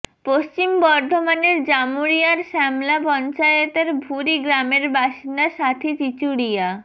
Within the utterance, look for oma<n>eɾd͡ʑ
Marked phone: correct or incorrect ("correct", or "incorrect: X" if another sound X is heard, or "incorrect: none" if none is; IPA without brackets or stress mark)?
correct